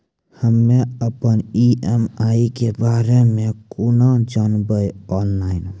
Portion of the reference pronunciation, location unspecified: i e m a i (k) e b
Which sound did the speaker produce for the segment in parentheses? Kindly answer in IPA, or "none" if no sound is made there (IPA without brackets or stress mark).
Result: k